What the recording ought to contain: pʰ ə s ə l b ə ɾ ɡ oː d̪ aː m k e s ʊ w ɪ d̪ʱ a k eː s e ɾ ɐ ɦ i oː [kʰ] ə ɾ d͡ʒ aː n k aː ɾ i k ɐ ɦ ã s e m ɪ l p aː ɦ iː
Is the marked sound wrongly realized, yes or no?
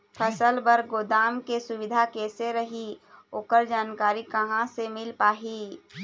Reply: yes